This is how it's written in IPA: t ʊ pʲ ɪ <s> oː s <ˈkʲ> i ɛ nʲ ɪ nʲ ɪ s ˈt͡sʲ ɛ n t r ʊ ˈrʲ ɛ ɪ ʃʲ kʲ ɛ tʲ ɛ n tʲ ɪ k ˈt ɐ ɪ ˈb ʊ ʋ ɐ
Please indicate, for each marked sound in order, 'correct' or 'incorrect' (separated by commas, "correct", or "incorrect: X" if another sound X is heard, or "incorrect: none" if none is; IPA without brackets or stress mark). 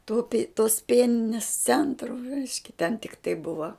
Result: incorrect: t, incorrect: pʲ